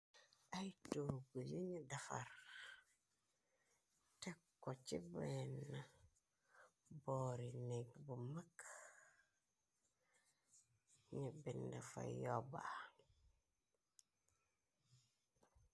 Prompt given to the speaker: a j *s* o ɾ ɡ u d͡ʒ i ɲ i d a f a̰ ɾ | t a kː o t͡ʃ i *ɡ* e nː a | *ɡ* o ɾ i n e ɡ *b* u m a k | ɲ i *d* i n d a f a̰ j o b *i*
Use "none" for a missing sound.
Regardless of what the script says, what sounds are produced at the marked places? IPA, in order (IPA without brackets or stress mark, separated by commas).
t, b, b, b, b, a